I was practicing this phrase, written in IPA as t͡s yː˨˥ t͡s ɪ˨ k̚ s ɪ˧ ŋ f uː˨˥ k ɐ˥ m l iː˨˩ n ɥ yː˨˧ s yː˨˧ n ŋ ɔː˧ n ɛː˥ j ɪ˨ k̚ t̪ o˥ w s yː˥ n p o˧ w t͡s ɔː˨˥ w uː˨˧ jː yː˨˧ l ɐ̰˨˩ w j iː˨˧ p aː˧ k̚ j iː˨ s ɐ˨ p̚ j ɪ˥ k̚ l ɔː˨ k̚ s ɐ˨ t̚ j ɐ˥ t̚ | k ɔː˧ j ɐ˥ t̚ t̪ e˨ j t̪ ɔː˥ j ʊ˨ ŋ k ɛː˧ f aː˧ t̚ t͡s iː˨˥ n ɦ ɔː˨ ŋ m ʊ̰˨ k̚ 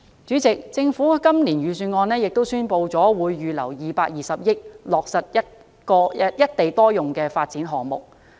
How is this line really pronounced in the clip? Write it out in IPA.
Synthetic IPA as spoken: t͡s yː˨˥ t͡s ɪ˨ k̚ t͡s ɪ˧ ŋ f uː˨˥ k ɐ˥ m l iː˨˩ n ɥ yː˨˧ s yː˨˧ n ŋ ɔː˧ n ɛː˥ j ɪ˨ k̚ t̪ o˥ w s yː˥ n p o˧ w t͡s ɔː˨˥ w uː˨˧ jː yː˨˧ l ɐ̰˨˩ w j iː˨˧ p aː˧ k̚ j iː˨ s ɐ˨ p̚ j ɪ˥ k̚ l ɔː˨ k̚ s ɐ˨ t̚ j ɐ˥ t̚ | k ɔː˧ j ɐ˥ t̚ t̪ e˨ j t̪ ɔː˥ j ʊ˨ ŋ k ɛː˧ f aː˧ t̚ t͡s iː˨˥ n ɦ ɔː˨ ŋ m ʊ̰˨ k̚